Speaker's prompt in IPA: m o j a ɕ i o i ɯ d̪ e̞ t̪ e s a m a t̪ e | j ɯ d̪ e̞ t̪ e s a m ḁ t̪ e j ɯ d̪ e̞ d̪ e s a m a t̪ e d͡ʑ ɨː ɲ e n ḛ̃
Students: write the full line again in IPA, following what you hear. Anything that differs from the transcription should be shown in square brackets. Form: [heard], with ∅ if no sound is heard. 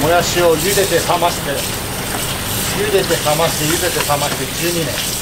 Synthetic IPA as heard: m o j a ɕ i o [j] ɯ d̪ e̞ t̪ e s a m a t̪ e | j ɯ d̪ e̞ t̪ e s a m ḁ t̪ e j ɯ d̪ e̞ [t̪] e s a m a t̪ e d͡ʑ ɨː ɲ [i] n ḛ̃